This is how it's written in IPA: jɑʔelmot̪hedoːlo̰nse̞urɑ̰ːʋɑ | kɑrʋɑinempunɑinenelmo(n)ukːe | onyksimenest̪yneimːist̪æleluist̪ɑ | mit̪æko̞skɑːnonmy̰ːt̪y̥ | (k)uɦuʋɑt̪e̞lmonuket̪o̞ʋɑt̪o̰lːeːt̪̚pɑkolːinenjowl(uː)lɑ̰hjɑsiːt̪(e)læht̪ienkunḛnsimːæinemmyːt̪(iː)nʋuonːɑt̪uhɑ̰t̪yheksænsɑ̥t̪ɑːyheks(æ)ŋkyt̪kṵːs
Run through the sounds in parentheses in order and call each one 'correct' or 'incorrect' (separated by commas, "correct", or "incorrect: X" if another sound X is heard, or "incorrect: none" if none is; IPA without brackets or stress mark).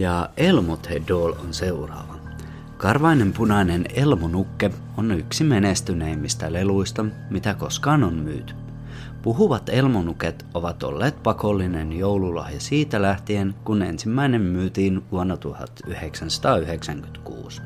correct, incorrect: p, incorrect: u, incorrect: æ, correct, correct